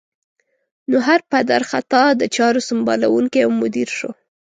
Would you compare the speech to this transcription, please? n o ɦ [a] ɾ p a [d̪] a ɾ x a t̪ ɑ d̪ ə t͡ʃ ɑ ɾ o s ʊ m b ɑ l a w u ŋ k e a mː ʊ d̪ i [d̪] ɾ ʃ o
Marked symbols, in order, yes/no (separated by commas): yes, yes, no